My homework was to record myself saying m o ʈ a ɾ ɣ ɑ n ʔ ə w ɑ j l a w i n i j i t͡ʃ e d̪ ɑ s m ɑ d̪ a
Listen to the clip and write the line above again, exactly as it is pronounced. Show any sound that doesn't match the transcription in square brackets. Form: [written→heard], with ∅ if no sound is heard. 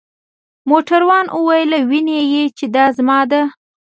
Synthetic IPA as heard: m o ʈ a ɾ [ɣ→w] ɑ n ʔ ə w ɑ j l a w i n [i→e] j [i→e] t͡ʃ e d̪ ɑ [s→z] m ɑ d̪ a